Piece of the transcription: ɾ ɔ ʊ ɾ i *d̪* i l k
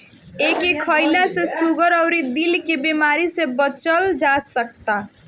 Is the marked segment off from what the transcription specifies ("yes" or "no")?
no